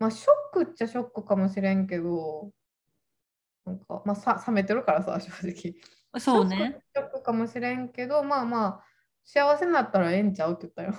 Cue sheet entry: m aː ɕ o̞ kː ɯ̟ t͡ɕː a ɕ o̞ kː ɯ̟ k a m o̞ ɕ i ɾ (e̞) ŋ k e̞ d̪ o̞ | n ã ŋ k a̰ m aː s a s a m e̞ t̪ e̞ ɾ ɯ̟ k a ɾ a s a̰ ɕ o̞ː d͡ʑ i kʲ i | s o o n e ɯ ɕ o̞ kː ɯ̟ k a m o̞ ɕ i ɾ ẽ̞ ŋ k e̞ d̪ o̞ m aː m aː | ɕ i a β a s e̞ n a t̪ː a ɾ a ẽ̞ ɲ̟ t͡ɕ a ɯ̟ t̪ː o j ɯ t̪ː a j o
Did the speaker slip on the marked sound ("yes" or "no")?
yes